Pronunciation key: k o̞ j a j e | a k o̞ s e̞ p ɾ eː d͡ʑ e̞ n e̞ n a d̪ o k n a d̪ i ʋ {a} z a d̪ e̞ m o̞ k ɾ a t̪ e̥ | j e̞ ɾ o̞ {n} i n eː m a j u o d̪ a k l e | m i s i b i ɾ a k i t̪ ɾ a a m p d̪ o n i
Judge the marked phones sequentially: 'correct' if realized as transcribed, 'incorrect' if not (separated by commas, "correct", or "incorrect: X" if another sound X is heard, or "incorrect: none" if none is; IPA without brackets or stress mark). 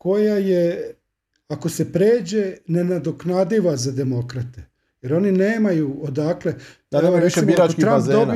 correct, correct